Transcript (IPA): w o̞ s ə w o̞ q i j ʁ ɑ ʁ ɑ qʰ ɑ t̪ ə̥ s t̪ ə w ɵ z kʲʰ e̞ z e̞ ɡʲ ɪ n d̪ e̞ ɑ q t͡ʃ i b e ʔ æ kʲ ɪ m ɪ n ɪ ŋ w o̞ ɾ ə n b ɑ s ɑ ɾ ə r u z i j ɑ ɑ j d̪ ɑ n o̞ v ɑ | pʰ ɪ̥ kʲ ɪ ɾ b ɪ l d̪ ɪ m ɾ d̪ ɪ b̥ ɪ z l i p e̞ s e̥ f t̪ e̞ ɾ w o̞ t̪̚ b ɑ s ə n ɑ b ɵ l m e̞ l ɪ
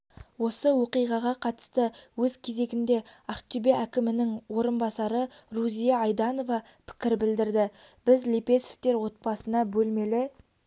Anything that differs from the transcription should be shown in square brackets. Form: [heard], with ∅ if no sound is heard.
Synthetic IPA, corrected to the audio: w o̞ s ə w o̞ q i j ʁ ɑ ʁ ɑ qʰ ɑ t̪ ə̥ s t̪ ə w ɵ z kʲʰ e̞ z e̞ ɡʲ ɪ n d̪ e̞ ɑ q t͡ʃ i b e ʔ æ kʲ ɪ m ɪ n ɪ ŋ w o̞ ɾ ə n b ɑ s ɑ ɾ ə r u z i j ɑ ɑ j d̪ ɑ n o̞ v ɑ | pʰ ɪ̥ kʲ ɪ ɾ b ɪ l d̪ ɪ [∅] ɾ d̪ ɪ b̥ ɪ z l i p e̞ s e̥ f t̪ e̞ ɾ w o̞ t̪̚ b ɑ s ə n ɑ b ɵ l m e̞ l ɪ